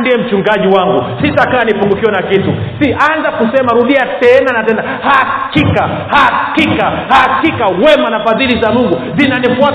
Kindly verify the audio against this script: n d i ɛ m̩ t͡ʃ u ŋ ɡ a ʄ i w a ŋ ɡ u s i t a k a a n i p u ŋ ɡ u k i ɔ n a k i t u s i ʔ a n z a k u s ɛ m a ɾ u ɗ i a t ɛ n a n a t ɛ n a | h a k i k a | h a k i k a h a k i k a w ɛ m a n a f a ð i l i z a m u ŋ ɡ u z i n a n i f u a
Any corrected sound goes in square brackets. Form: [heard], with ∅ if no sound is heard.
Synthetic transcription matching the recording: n d i ɛ m̩ t͡ʃ u ŋ ɡ a ʄ i w a ŋ ɡ u s i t a k a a n i p u ŋ ɡ u k i ɔ n a k i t u s i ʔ a n z a k u s ɛ m a ɾ u ɗ i a t ɛ n a n a t ɛ n a | h a k i k a | h a k i k a h a k i k a w ɛ m a n a f a ð i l i z a m u ŋ ɡ u z i n a n i f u a